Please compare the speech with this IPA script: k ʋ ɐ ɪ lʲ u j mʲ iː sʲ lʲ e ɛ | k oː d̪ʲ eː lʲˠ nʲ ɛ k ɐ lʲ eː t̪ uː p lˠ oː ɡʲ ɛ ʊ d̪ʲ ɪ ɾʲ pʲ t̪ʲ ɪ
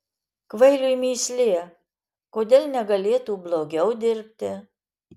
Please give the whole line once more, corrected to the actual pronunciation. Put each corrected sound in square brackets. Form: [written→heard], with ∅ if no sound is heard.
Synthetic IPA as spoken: k ʋ ɐ ɪ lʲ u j mʲ iː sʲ lʲ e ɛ | k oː d̪ʲ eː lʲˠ nʲ ɛ [k→ɡ] ɐ lʲ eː t̪ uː [p→b] lˠ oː ɡʲ ɛ ʊ d̪ʲ ɪ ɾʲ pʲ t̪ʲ ɪ